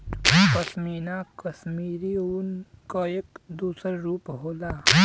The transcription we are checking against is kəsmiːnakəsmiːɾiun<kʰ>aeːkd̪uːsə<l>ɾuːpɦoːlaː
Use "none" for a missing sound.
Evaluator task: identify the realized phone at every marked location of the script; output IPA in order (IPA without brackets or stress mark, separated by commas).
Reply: k, ɾ